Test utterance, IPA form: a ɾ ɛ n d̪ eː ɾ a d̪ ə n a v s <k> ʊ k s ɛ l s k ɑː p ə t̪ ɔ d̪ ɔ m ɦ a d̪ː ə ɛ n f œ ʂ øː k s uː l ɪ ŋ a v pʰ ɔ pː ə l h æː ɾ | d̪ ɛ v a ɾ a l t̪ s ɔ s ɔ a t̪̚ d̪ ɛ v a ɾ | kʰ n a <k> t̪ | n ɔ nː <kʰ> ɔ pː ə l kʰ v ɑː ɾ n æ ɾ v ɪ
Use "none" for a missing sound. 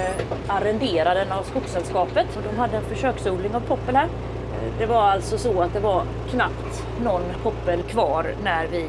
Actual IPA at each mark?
k, p, pʰ

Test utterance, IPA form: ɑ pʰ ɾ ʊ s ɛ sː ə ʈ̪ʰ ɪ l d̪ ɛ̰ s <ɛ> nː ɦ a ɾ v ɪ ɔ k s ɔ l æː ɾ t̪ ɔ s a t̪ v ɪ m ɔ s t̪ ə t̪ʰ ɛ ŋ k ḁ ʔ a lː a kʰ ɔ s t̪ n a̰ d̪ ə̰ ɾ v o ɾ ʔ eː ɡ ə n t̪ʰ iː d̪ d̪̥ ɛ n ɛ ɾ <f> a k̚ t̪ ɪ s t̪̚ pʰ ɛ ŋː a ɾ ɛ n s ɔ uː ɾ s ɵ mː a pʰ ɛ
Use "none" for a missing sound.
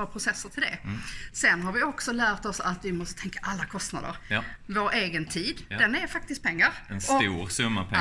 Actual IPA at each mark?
ɛ, f

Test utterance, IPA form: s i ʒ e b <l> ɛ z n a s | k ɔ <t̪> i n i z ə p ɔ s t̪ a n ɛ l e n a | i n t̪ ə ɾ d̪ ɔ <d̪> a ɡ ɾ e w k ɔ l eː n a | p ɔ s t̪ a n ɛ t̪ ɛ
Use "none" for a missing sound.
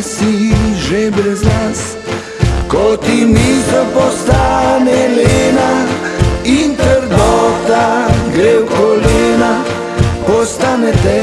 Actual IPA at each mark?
ɾ, t̪, t̪

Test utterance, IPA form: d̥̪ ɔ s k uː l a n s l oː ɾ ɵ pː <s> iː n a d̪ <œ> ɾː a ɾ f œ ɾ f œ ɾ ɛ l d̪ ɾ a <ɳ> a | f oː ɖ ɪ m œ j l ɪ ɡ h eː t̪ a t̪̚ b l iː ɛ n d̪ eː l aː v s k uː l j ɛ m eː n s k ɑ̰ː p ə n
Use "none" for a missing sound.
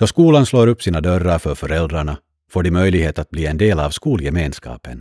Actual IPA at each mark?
s, œ, ɳ

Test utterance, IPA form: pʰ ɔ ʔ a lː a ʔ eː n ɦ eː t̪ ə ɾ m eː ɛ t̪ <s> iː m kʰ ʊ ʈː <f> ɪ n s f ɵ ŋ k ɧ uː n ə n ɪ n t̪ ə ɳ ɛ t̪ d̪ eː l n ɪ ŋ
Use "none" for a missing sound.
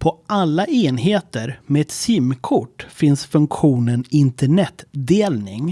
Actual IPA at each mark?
s, f

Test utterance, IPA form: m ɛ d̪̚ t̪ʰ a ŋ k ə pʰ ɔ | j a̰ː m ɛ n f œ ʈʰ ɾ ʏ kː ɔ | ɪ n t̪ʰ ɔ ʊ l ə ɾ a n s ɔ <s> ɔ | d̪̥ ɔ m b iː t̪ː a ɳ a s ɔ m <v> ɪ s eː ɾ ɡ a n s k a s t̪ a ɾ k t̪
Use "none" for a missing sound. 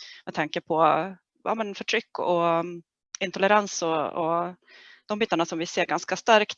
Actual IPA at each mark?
none, v

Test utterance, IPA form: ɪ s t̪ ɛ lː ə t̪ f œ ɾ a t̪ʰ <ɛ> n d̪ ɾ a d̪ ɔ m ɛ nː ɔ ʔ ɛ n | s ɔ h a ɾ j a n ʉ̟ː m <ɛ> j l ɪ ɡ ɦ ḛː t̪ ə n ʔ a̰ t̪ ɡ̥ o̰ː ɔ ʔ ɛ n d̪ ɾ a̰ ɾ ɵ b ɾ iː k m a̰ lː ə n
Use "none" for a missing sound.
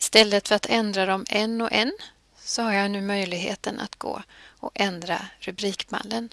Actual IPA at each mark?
ɛ, œ

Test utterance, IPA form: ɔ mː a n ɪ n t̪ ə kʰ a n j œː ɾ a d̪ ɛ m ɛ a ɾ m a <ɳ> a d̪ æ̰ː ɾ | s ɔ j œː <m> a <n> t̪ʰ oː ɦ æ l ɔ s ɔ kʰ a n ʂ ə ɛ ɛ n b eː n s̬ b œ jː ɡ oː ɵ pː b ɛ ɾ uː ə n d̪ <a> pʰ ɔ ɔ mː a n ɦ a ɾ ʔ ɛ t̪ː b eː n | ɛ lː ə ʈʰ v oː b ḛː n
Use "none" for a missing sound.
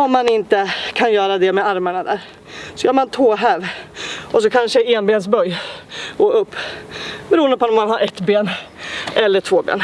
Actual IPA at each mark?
ɳ, m, n, ə

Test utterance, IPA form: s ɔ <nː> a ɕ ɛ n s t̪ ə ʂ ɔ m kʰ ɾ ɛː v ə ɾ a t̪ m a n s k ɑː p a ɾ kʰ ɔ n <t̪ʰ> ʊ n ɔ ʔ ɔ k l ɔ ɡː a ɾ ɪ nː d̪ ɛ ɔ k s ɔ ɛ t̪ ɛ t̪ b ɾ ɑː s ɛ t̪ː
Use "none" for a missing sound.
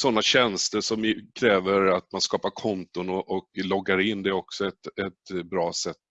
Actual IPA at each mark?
nː, t̪

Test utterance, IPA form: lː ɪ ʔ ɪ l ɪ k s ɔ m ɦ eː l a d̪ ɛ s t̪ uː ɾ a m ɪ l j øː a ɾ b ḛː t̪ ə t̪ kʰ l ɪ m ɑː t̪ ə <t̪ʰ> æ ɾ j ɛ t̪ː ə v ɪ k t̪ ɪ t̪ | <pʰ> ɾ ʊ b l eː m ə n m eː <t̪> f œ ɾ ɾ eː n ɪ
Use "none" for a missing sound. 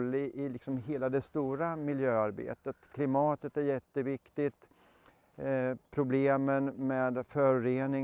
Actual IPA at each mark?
t̪, pʰ, d̪

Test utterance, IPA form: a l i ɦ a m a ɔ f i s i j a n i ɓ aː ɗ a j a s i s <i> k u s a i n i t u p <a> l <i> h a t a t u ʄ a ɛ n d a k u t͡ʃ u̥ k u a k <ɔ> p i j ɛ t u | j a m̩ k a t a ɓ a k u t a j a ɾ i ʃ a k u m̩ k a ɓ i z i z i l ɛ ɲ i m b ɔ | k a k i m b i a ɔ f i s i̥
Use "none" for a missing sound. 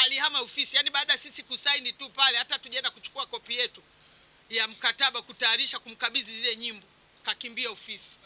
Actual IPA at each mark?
i, a, ɛ, ɔ

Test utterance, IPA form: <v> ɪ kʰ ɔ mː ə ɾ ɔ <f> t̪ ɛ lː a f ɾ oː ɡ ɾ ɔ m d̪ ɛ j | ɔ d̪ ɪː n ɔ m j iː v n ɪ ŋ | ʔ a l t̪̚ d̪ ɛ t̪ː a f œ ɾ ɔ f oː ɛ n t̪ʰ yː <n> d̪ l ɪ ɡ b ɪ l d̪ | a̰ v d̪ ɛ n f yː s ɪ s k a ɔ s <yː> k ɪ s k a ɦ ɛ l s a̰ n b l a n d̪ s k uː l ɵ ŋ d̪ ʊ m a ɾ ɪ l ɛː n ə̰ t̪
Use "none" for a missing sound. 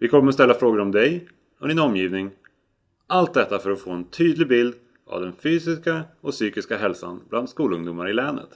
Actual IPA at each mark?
v, s, none, yː

